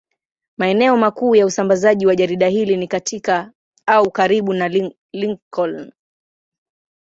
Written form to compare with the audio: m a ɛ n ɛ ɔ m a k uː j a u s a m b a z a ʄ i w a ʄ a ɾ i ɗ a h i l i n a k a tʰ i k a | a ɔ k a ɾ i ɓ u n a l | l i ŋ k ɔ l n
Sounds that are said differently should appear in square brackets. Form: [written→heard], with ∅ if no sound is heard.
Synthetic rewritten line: m a ɛ n ɛ ɔ m a k uː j a u s a m b a z a ʄ i w a ʄ a ɾ i ɗ a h i l i n [a→i] k a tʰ i k a | a [ɔ→u] k a ɾ i ɓ u n a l | l i ŋ k ɔ l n